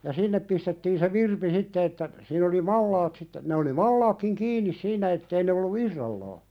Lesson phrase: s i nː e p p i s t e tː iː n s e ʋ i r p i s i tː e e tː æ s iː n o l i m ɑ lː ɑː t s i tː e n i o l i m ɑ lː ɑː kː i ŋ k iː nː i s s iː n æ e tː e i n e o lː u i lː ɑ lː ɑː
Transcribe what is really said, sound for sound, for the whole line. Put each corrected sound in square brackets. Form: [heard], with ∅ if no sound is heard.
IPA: s i nː e p p i s t e tː iː n s e ʋ i r p i s i tː e e tː æ s iː n o l i m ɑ lː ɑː t s i tː e n [e] o l i m ɑ lː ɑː kː i ŋ k iː nː i s s iː n æ e tː e i n e o lː u i [rː] ɑ lː ɑː